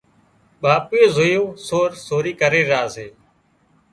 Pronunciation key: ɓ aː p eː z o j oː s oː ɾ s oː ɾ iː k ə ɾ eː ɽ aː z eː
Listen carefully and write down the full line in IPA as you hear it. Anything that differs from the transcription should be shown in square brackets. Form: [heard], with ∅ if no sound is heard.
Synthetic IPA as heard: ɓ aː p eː z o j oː s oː ɾ s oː ɾ iː k ə ɾ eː [ɾ] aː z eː